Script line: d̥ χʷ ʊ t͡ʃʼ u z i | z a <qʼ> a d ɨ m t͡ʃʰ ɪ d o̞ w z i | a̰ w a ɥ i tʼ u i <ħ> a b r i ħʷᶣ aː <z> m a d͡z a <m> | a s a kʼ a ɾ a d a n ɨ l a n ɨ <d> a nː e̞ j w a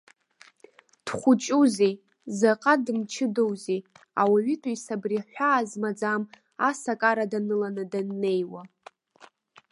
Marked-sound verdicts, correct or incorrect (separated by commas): correct, incorrect, correct, correct, correct